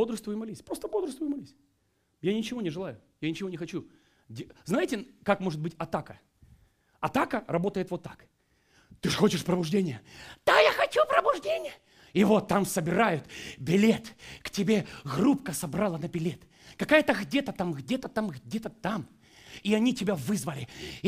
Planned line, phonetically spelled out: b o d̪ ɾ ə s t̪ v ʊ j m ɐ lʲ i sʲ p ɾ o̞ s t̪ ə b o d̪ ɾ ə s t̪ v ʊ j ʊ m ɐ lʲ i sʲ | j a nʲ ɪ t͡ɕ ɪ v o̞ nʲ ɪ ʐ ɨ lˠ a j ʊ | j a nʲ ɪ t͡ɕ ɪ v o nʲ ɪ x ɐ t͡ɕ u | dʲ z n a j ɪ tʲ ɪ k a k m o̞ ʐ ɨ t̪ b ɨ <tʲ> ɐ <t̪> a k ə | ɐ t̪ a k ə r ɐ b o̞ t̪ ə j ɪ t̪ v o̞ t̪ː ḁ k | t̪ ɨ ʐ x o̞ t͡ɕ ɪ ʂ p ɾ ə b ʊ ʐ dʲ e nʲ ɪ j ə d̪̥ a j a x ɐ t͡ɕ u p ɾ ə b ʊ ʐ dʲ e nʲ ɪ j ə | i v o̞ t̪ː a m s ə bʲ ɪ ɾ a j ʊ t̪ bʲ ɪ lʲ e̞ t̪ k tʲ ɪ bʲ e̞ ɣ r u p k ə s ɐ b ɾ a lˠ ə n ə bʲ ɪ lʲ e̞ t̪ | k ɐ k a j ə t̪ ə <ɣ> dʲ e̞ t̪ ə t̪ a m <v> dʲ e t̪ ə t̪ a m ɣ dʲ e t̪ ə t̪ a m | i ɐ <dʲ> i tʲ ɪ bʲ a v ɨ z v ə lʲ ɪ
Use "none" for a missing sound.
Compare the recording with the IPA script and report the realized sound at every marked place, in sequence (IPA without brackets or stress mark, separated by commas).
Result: tʲ, t̪, ɣ, ɣ, nʲ